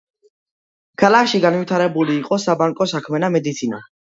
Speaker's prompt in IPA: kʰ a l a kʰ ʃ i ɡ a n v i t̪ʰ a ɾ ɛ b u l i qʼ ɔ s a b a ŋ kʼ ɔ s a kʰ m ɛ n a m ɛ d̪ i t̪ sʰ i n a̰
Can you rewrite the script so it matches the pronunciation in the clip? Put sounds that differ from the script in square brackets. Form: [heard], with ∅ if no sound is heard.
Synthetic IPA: kʰ a l a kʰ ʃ i ɡ a n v i t̪ʰ a ɾ ɛ b u l [iː] qʼ ɔ s a b a ŋ kʼ ɔ s a kʰ m ɛ n a m ɛ d̪ i t̪ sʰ i n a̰